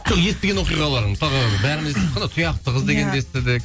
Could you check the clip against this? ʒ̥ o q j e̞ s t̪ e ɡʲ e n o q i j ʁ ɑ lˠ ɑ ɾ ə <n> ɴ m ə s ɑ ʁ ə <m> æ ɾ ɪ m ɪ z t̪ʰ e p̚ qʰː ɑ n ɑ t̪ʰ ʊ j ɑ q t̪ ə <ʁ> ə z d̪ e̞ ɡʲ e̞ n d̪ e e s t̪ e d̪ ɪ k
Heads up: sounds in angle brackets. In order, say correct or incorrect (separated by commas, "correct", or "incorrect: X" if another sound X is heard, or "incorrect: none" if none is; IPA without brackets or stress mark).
incorrect: none, incorrect: b, correct